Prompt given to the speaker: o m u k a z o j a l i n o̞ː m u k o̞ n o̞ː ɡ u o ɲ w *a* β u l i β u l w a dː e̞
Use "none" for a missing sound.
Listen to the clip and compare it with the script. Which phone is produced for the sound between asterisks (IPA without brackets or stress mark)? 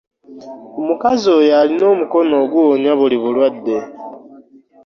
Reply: a